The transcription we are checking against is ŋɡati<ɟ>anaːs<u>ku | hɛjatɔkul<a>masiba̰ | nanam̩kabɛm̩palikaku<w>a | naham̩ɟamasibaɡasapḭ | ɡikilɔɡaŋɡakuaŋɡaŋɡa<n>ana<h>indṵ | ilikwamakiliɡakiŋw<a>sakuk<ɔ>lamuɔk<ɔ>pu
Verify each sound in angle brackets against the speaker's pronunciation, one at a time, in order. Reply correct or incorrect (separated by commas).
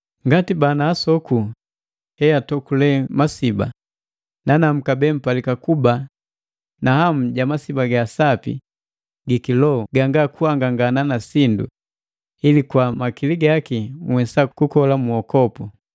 incorrect, incorrect, incorrect, incorrect, correct, incorrect, incorrect, correct, correct